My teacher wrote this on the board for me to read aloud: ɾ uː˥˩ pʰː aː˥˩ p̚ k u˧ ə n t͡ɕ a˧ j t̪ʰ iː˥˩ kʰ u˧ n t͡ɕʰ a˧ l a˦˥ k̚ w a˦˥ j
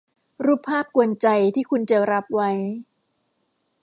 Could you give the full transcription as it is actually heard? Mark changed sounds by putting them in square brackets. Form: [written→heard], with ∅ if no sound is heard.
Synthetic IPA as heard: ɾ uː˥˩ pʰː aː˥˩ p̚ k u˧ ə n t͡ɕ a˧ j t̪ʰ iː˥˩ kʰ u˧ n [t͡ɕʰ→t͡ɕ] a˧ [l→ɾ] a˦˥ [k̚→p̚] w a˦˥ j